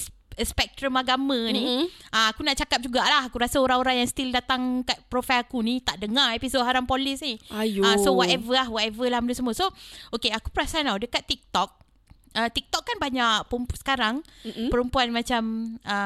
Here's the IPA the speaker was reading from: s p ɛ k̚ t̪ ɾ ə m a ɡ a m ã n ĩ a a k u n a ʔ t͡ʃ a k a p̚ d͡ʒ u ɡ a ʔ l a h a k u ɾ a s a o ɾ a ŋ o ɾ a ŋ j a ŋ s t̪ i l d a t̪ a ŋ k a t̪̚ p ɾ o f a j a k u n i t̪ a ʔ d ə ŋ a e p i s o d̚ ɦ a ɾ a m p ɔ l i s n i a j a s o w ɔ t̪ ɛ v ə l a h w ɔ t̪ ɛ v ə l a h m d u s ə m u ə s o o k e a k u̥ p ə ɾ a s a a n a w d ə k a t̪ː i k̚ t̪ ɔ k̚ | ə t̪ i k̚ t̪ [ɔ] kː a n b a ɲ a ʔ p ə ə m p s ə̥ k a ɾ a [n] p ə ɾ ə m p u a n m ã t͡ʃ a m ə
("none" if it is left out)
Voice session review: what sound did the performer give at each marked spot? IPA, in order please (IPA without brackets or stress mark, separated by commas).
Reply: ɔ, ŋ